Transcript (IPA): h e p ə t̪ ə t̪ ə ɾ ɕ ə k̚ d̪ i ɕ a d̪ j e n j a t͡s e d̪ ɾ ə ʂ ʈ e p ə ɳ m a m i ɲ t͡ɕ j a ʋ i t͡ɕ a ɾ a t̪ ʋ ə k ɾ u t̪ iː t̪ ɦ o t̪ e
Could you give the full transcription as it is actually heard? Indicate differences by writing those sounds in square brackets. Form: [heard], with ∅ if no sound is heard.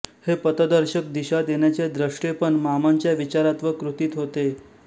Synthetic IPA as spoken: h e p ə t̪ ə [d̪] ə ɾ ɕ ə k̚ d̪ i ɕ a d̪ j e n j a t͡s e d̪ ɾ ə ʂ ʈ e p ə ɳ m a m [a] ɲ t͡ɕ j a ʋ i t͡ɕ a ɾ a t̪ ʋ ə k ɾ u t̪ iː t̪ ɦ o t̪ e